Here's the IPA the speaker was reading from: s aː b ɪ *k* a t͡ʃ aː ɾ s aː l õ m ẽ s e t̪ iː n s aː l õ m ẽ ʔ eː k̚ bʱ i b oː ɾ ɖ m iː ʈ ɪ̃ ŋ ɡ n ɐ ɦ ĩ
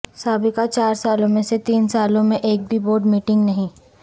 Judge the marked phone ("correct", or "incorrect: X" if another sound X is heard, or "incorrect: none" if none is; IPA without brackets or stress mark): correct